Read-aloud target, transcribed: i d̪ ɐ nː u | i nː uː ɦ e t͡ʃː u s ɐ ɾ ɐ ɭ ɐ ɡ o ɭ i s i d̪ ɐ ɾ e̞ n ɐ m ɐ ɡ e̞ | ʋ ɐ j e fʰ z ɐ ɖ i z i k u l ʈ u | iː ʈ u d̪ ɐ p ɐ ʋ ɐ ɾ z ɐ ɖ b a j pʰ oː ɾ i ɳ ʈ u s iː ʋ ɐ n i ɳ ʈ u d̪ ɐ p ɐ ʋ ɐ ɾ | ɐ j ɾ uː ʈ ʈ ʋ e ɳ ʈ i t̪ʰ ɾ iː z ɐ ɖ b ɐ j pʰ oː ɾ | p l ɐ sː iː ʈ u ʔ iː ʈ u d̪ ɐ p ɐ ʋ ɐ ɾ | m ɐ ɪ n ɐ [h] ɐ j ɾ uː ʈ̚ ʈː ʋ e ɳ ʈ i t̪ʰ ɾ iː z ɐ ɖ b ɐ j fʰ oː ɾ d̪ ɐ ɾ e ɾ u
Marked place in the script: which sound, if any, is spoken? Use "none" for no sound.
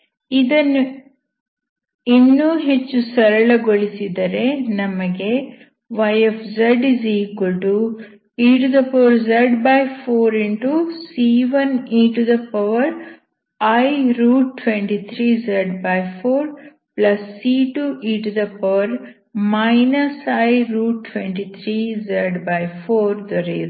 s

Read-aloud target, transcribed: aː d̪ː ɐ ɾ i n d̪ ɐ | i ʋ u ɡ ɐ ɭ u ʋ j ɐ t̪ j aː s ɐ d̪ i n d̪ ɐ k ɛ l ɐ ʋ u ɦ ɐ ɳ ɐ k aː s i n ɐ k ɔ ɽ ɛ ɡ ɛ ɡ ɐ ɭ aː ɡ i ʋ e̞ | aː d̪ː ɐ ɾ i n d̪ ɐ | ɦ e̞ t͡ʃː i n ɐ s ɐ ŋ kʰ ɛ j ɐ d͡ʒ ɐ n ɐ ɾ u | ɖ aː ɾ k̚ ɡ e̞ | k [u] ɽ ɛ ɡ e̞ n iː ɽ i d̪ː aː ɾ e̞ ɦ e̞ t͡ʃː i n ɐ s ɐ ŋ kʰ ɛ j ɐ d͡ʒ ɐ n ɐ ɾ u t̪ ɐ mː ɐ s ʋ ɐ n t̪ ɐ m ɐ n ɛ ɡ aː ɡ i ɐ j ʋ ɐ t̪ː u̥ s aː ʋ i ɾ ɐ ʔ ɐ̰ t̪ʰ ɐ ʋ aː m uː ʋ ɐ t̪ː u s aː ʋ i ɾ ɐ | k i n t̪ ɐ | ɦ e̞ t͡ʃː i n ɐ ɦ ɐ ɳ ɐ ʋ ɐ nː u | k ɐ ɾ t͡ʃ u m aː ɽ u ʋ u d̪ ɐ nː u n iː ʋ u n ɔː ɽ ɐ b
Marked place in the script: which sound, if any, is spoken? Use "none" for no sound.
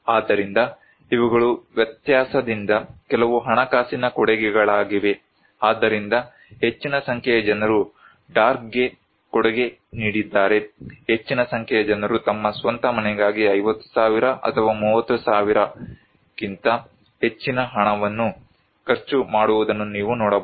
ɔ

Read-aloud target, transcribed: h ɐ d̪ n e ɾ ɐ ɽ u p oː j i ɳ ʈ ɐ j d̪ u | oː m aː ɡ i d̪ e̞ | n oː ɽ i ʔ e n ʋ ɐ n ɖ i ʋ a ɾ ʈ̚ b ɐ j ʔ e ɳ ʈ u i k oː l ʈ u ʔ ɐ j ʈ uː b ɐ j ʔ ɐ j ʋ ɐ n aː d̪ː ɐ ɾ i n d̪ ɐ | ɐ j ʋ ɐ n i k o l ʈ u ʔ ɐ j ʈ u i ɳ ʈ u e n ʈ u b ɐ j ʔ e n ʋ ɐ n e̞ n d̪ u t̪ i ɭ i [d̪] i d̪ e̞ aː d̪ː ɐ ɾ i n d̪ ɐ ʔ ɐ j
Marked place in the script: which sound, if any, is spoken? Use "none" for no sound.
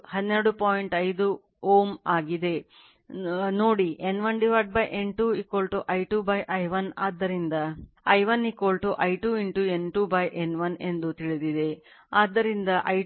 d̪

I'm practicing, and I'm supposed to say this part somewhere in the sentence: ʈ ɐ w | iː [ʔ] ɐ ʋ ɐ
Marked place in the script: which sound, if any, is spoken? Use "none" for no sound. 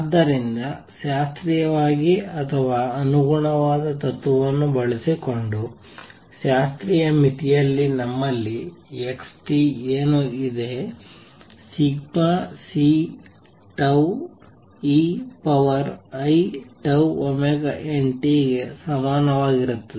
p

